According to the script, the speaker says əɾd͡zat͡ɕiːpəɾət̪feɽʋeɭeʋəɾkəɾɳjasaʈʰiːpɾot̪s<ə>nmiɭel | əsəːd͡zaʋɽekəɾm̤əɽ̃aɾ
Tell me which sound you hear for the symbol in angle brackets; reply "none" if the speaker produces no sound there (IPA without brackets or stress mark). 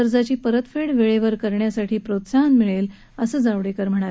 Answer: a